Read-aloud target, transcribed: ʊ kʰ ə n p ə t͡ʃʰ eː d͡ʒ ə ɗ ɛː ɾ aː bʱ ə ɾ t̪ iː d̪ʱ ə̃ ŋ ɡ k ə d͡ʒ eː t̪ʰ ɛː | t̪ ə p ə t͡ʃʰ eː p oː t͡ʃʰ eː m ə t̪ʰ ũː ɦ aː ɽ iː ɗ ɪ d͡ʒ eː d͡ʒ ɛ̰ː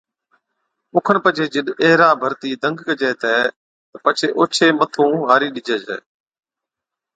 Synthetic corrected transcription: ʊ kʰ ə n p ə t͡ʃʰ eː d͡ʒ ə ɗ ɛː ɾ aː bʱ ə ɾ t̪ iː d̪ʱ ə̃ ŋ ɡ k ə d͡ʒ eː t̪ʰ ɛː | t̪ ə p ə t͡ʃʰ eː ʔ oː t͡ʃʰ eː m ə t̪ʰ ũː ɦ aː ɾ iː ɗ ɪ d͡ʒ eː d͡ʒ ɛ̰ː